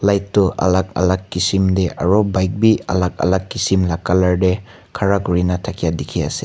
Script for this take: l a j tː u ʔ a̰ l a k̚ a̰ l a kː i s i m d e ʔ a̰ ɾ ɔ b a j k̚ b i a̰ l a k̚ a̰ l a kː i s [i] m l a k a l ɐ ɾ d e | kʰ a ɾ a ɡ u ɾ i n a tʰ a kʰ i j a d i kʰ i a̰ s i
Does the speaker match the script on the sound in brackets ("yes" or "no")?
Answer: yes